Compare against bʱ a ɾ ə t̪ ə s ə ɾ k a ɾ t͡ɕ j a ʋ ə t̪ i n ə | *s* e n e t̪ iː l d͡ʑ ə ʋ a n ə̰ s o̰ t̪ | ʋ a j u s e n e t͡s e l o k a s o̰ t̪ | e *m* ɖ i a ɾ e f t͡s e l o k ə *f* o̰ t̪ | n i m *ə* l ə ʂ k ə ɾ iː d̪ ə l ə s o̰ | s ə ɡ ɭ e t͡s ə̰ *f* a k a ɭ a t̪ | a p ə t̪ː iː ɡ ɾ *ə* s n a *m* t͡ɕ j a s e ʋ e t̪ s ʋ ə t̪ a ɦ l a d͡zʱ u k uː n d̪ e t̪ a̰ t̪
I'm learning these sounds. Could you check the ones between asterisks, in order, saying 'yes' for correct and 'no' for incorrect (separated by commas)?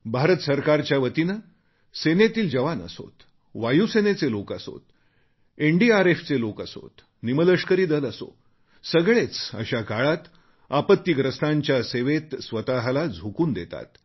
yes, no, no, yes, no, yes, no